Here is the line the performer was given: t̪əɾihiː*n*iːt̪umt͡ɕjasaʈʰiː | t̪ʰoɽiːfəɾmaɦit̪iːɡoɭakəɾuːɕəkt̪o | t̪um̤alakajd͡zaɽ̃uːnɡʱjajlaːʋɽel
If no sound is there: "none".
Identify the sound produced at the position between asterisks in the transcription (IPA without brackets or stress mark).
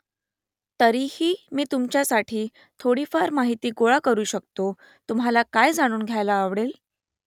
m